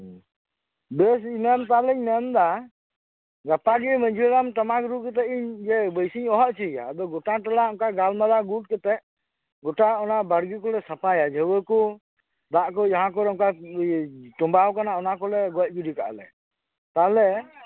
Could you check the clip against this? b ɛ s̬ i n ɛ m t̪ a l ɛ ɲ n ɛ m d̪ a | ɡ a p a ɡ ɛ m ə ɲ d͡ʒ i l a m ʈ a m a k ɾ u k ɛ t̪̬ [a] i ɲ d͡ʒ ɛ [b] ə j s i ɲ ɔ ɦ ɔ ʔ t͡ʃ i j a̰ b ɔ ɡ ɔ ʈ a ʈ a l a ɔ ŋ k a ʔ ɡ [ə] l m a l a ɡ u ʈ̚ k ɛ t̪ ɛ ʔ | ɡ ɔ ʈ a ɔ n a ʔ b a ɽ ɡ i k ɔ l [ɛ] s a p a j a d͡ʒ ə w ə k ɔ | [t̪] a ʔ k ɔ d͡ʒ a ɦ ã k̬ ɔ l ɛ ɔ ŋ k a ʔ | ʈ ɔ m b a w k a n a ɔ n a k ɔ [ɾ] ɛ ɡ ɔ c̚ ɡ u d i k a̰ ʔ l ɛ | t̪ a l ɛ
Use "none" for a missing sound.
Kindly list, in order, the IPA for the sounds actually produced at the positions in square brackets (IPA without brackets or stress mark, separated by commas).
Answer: ɛ, b, a, ɛ, d̪, l